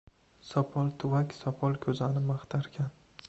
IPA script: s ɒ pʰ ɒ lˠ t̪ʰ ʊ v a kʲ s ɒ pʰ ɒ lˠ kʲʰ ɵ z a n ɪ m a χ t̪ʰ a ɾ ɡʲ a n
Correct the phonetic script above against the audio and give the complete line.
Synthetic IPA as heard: s ɒ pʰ ɒ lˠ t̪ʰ ʊ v a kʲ s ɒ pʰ ɒ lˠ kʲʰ ɵ z a n ɪ m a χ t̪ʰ a ɾ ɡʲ a n